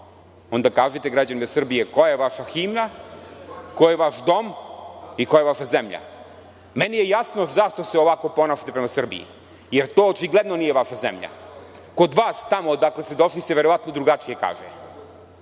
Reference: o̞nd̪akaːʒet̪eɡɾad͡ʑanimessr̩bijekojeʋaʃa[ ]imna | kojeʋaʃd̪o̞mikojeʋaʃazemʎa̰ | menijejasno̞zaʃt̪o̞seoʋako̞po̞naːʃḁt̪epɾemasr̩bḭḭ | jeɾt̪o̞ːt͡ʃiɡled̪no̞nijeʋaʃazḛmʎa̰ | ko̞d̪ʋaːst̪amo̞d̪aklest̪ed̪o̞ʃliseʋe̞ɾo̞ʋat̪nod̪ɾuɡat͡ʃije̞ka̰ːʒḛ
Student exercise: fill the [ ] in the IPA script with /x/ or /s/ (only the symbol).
x